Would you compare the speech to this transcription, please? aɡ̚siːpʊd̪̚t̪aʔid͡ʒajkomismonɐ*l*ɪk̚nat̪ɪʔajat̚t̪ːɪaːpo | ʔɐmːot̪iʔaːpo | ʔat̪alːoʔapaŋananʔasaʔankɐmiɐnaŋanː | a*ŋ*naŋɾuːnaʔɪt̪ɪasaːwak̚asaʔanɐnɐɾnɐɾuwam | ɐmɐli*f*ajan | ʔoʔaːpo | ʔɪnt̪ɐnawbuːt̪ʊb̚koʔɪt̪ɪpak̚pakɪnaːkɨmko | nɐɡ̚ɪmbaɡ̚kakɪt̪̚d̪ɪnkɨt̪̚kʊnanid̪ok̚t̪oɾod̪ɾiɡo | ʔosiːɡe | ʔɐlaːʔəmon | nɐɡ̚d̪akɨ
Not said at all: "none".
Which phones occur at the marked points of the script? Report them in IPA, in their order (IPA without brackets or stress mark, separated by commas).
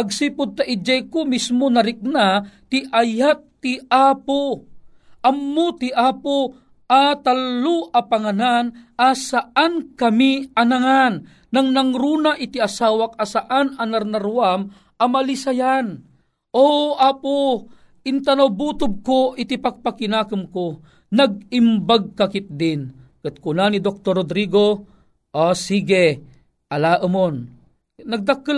ɾ, ŋ, s